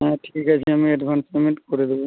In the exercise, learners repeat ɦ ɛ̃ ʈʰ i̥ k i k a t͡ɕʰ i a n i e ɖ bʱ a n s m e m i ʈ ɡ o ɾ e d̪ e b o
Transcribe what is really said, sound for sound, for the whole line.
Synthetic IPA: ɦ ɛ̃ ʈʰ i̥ k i k a t͡ɕʰ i a m i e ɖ bʱ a n s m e m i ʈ k o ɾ e d̪ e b o